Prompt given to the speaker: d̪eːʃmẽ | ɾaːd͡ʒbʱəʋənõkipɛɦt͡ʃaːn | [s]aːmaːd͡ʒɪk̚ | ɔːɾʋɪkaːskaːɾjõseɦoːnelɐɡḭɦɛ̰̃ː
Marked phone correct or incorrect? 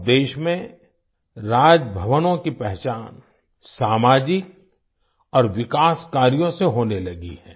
correct